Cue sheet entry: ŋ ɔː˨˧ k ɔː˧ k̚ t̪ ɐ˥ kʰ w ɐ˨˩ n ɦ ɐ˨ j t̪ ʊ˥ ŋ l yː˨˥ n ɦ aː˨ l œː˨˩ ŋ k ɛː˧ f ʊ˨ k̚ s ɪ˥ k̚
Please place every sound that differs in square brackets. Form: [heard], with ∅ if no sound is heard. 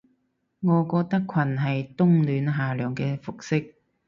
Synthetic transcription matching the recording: ŋ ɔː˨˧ k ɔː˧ k̚ t̪ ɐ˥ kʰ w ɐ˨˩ n ɦ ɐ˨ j t̪ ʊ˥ ŋ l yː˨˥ n ɦ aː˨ l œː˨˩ ŋ k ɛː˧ f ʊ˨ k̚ s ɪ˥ k̚